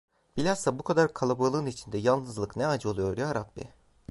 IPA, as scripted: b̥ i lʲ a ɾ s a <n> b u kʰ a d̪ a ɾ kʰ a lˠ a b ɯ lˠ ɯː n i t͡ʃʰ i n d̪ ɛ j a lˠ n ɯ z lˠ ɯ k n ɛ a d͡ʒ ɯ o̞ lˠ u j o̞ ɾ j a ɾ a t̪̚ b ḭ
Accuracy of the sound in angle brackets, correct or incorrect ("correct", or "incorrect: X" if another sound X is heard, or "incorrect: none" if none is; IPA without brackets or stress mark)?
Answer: incorrect: none